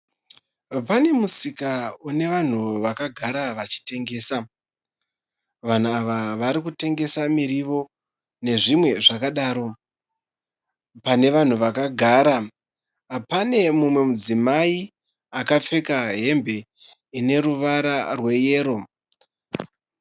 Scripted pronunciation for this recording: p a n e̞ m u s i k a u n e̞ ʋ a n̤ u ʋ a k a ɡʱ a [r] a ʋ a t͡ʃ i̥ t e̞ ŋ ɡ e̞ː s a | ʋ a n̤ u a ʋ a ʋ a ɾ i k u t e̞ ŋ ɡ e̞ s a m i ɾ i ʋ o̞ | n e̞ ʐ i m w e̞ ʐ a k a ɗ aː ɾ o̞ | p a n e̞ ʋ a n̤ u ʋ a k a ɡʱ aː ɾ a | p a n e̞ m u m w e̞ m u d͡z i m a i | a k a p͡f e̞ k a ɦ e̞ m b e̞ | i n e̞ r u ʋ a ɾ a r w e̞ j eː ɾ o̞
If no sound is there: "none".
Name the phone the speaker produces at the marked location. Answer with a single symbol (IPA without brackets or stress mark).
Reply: ɾ